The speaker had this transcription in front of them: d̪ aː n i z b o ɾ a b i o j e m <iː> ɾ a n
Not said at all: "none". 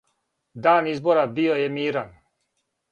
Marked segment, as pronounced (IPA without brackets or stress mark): iː